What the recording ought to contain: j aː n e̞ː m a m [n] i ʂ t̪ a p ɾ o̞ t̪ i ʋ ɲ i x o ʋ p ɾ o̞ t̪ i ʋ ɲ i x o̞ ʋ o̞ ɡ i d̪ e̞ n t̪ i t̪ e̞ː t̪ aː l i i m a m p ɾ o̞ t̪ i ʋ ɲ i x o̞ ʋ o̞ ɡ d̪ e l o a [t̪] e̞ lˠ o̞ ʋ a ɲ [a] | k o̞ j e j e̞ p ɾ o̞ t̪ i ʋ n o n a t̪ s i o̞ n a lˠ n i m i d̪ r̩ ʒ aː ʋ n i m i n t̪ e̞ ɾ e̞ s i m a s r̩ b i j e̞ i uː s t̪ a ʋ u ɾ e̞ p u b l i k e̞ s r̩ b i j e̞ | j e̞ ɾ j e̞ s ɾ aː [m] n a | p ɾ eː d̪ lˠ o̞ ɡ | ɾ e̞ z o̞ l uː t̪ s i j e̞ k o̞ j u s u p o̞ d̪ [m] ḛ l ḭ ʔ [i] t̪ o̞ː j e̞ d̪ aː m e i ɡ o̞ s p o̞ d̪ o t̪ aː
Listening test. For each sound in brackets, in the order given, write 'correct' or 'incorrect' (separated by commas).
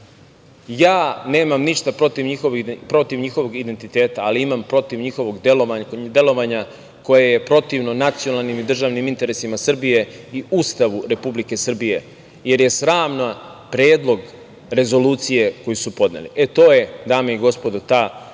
correct, incorrect, correct, correct, incorrect, incorrect